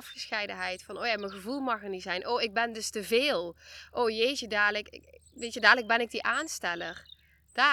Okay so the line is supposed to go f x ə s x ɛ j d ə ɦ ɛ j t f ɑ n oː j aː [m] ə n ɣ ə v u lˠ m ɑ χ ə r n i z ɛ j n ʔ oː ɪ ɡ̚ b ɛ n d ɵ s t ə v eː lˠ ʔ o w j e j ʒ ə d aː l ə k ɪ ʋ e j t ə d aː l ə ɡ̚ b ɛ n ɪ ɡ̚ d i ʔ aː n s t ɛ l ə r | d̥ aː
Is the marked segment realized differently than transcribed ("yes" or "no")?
no